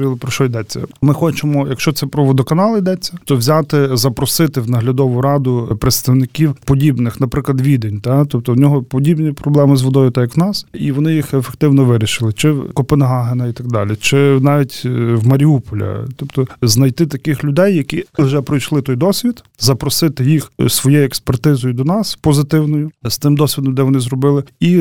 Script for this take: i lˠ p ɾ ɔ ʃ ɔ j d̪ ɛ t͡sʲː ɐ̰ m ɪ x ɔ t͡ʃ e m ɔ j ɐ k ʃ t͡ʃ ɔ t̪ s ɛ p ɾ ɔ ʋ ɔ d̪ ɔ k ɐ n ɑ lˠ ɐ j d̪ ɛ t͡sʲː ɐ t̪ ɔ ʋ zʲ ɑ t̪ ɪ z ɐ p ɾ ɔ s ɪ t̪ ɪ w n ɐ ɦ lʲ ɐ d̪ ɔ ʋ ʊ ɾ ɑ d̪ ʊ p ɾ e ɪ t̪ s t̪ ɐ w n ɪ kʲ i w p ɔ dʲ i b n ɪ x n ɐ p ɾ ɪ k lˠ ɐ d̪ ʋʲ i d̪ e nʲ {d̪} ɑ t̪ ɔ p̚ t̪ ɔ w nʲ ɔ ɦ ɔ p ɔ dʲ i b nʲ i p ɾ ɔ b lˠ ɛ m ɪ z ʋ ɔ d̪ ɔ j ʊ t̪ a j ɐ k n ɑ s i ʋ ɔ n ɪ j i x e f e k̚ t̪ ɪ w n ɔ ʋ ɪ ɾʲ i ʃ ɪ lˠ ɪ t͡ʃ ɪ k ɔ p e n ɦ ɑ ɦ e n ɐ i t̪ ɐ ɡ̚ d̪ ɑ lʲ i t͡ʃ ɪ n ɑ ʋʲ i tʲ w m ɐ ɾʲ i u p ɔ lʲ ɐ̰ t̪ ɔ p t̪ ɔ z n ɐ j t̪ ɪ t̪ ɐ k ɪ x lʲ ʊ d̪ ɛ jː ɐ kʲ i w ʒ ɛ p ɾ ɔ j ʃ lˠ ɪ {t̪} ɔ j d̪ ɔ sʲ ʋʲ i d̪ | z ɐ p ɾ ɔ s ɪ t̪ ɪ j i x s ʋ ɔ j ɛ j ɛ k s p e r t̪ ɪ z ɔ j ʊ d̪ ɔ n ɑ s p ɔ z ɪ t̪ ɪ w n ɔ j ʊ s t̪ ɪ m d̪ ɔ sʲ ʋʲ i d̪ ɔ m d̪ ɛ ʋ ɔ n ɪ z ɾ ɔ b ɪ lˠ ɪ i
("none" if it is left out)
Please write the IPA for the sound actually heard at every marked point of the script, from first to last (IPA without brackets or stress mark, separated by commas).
t̪, t̪